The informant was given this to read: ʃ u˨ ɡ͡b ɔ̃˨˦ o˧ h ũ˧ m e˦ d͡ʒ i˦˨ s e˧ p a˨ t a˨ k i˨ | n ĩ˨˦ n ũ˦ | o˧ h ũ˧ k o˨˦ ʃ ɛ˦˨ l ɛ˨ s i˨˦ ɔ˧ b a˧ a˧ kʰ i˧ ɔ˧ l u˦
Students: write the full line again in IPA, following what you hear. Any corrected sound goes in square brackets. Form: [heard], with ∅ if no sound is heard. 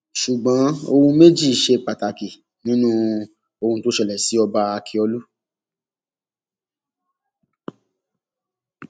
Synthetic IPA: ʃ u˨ ɡ͡b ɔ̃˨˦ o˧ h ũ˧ m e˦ d͡ʒ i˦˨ [ʃ] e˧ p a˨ t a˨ k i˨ | n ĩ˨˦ n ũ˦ | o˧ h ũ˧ [t] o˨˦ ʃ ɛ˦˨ l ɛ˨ s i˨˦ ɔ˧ b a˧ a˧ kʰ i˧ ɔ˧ l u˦